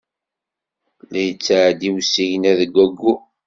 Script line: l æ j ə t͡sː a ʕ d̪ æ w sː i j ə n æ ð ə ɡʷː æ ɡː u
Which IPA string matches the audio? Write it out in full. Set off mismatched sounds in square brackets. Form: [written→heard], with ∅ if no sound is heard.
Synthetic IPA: l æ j ə t͡sː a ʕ d̪ [æ→i] w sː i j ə n æ ð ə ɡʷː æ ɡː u